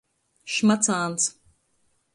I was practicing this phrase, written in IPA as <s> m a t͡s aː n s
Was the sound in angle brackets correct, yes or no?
no